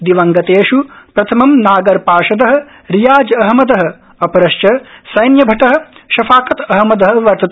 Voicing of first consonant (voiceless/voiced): voiced